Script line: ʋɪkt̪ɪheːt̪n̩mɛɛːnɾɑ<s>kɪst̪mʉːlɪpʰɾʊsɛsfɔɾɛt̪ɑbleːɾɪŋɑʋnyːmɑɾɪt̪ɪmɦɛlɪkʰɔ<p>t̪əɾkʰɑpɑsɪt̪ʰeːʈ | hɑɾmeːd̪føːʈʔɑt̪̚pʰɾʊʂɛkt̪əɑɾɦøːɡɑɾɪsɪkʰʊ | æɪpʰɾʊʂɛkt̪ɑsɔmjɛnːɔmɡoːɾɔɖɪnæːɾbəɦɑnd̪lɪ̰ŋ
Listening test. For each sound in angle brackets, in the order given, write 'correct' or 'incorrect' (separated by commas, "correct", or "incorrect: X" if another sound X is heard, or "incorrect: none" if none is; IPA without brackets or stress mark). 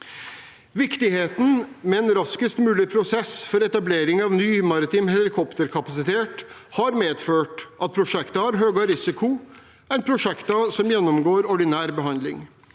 correct, correct